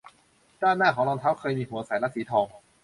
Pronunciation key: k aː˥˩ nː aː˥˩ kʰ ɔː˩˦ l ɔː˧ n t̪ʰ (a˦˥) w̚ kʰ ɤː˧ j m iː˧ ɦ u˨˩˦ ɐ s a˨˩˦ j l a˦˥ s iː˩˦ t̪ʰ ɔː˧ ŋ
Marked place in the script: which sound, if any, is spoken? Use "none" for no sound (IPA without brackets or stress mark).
a˦˥